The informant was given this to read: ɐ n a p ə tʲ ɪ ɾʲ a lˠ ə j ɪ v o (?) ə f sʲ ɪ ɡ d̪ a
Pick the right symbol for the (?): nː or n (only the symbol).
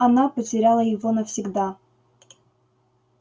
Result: n